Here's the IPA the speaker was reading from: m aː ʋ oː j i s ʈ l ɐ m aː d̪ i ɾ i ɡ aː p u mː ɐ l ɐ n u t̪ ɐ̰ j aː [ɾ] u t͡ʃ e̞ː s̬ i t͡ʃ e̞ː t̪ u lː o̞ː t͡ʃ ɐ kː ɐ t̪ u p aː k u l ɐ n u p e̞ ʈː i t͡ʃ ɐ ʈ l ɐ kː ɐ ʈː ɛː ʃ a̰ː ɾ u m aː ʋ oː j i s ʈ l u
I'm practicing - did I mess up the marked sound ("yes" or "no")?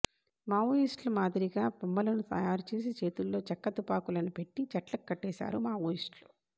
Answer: no